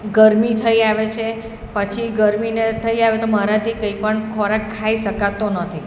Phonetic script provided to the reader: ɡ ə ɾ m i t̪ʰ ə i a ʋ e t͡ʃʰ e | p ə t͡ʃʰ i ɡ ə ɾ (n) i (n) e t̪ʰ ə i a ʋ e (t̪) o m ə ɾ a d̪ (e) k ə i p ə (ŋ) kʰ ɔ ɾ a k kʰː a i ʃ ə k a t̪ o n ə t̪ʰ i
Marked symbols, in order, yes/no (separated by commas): no, yes, yes, no, no